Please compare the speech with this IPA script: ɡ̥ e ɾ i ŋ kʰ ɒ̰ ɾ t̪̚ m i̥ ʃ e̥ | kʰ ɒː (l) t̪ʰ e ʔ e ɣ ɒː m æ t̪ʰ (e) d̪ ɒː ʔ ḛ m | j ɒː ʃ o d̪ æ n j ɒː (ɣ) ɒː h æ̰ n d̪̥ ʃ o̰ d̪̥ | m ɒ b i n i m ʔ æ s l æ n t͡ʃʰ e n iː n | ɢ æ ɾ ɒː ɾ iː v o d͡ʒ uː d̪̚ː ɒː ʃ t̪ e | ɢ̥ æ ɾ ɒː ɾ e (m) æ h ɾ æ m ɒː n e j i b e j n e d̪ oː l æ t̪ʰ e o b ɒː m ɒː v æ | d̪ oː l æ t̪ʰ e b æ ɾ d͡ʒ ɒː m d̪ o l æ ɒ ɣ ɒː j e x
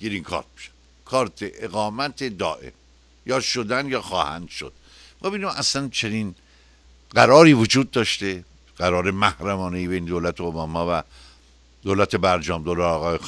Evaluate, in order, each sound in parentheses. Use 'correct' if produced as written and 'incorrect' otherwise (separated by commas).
incorrect, correct, incorrect, correct